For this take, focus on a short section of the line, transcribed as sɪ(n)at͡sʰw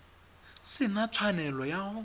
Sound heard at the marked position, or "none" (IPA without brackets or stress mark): n